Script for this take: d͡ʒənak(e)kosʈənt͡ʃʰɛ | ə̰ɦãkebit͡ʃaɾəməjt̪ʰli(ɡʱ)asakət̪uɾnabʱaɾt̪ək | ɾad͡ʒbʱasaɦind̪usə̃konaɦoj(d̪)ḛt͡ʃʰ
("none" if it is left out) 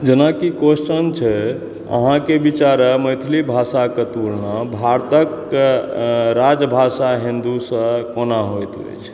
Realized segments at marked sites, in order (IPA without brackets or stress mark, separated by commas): i, bʱ, t̪